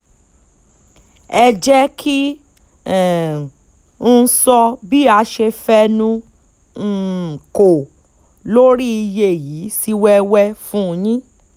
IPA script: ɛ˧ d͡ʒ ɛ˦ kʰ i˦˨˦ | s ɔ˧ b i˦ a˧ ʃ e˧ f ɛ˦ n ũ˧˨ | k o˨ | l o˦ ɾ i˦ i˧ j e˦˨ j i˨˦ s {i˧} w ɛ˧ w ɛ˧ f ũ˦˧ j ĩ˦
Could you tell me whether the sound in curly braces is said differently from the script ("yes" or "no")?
no